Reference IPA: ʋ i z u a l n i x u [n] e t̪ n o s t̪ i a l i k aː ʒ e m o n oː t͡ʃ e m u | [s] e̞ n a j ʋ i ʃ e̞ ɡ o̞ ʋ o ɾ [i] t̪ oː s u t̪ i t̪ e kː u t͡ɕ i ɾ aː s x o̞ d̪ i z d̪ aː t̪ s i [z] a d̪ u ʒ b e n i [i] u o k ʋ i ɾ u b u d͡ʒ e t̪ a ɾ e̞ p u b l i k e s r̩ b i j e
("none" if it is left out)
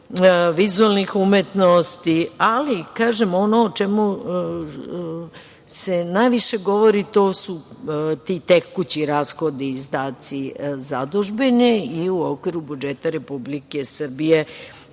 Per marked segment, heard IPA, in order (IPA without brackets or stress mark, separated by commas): m, s, i, z, i